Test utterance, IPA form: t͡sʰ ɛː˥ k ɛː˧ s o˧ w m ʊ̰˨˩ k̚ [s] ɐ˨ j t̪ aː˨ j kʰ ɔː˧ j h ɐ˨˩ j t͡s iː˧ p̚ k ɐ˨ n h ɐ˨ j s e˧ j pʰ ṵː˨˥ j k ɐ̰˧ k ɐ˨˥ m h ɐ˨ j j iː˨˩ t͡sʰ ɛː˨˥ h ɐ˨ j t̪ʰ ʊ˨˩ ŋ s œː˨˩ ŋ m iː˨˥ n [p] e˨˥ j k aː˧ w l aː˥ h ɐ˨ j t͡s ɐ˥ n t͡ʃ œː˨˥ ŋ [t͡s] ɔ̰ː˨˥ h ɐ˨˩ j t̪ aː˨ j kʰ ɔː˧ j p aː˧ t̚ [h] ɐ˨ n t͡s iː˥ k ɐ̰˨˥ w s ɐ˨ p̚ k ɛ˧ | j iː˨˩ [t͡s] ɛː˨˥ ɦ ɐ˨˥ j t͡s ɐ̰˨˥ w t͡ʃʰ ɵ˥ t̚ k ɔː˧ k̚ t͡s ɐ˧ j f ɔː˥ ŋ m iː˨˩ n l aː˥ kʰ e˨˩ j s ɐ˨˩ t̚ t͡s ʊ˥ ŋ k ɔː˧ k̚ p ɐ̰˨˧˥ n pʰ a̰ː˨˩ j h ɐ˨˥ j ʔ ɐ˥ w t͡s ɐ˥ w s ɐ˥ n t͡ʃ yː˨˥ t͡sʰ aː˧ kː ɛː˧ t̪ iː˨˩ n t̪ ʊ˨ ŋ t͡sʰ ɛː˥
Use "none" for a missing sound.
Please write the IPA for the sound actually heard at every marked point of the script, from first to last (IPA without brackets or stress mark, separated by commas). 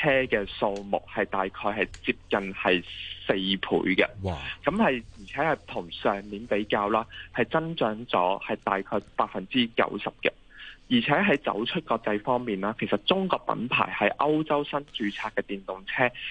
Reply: h, p, t͡s, f, t͡sʰ